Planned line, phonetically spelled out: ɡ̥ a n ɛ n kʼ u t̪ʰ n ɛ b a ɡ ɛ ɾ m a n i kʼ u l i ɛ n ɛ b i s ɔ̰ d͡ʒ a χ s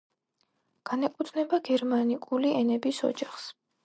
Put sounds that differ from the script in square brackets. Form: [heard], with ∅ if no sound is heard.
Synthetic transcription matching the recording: ɡ̥ a n ɛ [∅] kʼ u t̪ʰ n ɛ b a ɡ ɛ ɾ m a n i kʼ u l i ɛ n ɛ b i s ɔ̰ d͡ʒ a χ s